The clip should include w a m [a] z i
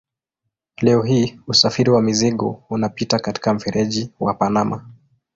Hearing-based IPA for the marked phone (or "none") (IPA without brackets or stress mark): i